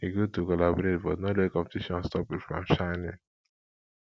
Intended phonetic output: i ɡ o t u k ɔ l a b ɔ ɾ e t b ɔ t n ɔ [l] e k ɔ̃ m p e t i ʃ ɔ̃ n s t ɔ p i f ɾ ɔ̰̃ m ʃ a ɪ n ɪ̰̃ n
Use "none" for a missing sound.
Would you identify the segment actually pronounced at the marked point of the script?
l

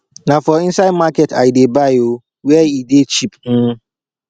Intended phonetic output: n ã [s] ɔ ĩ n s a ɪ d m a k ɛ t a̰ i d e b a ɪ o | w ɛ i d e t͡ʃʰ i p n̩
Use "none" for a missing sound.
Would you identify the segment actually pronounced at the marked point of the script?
f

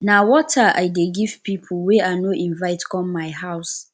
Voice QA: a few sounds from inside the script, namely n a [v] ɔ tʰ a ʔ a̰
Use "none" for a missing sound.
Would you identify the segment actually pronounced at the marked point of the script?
w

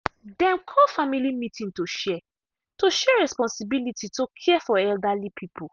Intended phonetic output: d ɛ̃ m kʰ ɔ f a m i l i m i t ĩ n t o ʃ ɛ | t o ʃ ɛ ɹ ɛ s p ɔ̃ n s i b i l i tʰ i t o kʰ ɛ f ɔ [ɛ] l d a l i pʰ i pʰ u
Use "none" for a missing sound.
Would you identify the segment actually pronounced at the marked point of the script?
ɛ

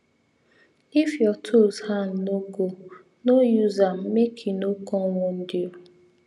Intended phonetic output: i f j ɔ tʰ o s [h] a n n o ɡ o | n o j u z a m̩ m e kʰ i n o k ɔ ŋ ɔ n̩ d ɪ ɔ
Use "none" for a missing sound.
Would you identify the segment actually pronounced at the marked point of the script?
h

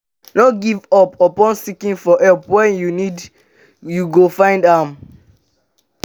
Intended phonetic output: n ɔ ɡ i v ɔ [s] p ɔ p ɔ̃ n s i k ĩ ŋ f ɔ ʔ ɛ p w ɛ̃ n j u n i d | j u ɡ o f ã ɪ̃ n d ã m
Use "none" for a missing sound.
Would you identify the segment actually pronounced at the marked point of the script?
none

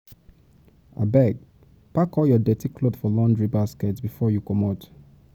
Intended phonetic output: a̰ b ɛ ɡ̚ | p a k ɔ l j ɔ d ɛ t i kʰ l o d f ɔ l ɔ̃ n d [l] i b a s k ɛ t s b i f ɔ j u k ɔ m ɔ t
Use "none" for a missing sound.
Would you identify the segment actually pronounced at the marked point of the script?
ɹ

